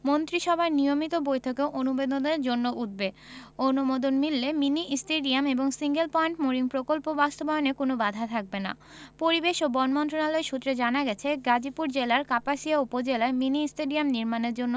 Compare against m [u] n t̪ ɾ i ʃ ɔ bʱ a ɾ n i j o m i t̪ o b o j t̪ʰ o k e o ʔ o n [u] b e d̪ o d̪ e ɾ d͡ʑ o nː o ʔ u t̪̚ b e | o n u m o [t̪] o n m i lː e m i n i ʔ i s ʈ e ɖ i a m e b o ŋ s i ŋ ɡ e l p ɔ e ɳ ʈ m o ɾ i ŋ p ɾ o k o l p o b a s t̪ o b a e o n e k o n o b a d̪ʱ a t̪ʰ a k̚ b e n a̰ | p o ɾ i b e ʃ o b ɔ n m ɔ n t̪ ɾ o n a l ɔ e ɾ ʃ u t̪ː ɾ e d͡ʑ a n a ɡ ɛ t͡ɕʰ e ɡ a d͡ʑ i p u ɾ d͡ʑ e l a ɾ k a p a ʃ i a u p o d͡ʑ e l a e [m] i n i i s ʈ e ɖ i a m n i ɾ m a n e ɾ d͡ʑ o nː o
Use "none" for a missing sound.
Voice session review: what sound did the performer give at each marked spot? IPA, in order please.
o, u, d̪, m

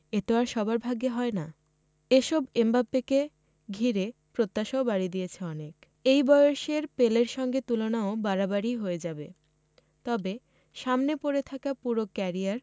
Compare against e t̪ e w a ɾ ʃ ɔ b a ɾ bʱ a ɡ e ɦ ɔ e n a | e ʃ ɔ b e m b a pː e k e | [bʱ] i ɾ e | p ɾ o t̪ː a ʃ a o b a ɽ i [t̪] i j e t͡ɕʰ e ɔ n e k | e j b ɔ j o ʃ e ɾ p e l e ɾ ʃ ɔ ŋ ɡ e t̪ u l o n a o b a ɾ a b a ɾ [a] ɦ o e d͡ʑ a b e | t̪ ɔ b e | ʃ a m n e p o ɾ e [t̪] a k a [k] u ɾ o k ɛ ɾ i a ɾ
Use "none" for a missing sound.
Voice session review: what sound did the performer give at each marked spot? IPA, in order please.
ɡʱ, d̪, i, t̪ʰ, p

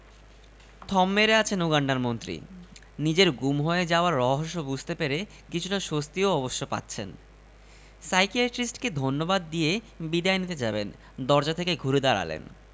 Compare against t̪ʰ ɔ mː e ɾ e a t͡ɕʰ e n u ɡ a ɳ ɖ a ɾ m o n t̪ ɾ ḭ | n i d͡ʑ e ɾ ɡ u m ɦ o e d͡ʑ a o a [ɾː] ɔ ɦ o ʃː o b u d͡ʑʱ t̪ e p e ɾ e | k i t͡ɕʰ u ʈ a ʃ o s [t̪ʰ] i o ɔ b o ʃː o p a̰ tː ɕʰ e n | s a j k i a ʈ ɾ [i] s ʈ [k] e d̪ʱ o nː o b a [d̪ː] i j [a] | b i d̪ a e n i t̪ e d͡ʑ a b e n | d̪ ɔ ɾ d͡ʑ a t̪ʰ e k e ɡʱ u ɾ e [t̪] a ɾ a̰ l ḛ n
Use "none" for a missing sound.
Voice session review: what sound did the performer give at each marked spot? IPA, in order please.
ɾː, t̪, i, k, d̪ː, e, d̪

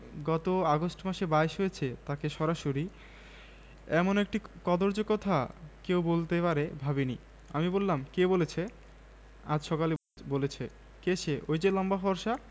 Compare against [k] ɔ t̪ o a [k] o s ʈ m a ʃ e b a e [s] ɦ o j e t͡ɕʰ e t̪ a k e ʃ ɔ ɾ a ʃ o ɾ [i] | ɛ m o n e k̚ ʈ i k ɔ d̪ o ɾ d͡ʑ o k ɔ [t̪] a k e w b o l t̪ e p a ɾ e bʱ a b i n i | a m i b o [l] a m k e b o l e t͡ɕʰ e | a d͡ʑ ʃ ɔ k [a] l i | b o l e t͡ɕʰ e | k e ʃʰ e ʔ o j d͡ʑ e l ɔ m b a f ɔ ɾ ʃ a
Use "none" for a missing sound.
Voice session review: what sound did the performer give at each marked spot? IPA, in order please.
ɡ, ɡ, ʃ, i, t̪ʰ, lː, a

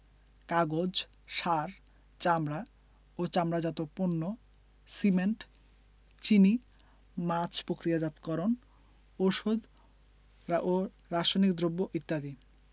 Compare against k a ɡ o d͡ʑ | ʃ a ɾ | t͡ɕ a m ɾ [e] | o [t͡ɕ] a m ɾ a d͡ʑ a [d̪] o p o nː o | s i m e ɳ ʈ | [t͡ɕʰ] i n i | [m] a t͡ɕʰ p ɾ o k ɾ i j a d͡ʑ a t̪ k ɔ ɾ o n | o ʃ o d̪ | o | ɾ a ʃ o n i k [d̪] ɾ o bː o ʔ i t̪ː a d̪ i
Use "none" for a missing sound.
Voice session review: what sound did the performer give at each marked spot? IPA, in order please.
a, t͡ɕ, t̪, t͡ɕ, m, d̪

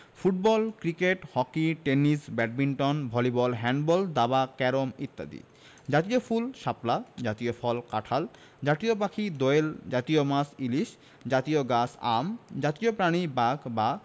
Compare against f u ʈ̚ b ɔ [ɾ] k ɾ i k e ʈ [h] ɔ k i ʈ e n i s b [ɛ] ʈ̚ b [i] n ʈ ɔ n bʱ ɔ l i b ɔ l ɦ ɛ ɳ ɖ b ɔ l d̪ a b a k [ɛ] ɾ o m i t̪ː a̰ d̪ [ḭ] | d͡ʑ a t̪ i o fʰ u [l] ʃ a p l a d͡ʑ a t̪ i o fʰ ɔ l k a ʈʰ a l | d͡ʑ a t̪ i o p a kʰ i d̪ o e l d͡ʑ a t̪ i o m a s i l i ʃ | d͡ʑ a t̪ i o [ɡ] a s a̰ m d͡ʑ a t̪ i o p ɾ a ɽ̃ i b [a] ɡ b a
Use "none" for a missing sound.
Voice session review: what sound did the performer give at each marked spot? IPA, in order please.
l, h, ɛ, i, ɛ, ḭ, l, ɡ, a

